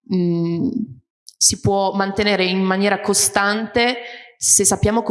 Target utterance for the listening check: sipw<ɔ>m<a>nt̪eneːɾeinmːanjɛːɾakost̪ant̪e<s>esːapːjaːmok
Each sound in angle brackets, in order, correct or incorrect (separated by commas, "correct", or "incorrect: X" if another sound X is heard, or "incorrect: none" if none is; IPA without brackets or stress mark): correct, correct, correct